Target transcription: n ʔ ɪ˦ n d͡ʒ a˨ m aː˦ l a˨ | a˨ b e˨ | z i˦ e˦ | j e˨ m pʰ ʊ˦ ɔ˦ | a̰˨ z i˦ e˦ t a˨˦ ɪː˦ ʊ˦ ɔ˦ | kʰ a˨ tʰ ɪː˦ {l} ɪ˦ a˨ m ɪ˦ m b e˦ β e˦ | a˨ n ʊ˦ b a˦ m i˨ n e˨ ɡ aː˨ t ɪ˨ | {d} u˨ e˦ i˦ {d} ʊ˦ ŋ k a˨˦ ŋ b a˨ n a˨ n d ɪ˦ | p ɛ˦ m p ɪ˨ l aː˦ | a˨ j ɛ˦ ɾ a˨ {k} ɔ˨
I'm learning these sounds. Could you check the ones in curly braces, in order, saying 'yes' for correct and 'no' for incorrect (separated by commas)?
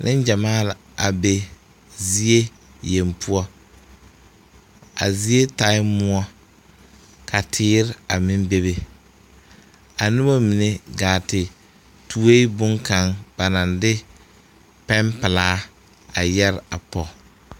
no, no, no, no